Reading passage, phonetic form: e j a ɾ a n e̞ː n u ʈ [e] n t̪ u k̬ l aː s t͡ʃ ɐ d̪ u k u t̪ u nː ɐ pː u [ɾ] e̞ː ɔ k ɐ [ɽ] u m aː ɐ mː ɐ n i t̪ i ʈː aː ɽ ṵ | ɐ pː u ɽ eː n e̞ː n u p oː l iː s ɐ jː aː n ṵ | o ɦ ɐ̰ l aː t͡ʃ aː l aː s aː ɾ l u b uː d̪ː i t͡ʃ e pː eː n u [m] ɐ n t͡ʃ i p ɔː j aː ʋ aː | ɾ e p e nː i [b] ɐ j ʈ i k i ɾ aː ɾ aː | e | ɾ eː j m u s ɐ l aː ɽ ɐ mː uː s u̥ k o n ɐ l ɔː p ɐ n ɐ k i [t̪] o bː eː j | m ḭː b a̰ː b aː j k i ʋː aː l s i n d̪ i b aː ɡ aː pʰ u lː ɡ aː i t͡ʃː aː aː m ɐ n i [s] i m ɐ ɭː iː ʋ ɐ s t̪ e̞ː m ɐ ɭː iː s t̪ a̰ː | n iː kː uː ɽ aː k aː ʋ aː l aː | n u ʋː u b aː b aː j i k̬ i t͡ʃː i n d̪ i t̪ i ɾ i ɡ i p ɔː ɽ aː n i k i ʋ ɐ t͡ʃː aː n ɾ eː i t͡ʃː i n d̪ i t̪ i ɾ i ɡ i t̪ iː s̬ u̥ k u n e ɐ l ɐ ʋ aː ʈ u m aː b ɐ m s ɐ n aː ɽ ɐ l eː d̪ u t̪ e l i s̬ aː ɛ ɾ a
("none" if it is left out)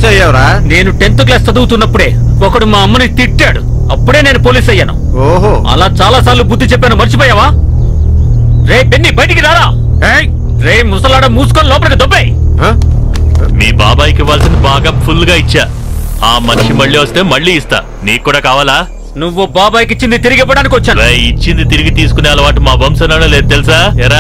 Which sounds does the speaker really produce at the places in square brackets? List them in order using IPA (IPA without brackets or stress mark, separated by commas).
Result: e, ɽ, ɽ, m, b, d̪, ʂ